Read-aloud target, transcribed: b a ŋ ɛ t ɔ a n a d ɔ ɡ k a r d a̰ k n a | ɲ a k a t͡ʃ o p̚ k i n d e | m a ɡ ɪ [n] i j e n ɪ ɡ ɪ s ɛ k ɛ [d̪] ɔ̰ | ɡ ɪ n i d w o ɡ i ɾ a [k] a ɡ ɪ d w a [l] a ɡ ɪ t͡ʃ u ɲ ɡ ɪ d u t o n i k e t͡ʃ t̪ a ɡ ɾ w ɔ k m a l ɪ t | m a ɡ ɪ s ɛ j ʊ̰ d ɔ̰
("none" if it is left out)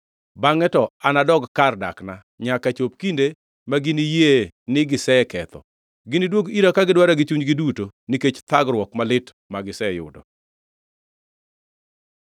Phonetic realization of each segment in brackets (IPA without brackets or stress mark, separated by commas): n, t̪, k, ɾ